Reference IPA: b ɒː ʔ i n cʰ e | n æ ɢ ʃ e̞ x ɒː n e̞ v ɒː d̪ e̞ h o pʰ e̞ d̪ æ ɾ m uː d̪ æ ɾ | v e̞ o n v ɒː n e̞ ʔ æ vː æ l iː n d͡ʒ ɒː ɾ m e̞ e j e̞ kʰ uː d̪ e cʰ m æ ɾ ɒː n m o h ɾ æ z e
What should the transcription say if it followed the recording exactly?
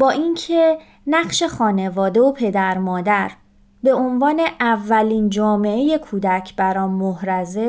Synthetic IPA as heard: b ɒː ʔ i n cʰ e | n æ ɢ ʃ e̞ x ɒː n e̞ v ɒː d̪ e̞ o pʰ e̞ d̪ æ ɾ m ɒː d̪ æ ɾ | b e̞ o n v ɒː n e̞ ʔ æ vː æ l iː n d͡ʒ ɒː m e̞ e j e̞ kʰ uː d̪ æ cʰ b æ ɾ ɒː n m o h ɾ æ z e